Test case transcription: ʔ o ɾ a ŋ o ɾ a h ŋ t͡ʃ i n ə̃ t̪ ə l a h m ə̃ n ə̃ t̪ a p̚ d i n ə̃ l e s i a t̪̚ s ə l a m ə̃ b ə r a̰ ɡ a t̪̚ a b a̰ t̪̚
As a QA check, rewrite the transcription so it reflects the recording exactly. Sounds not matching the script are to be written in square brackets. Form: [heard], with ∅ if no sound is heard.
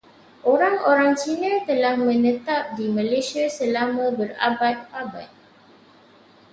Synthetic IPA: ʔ o ɾ a ŋ o ɾ a [∅] ŋ t͡ʃ i n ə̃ t̪ ə l a h m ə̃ n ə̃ t̪ a p̚ d i [m] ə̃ l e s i a [∅] s ə l a m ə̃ b ə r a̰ [b] a t̪̚ a b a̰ t̪̚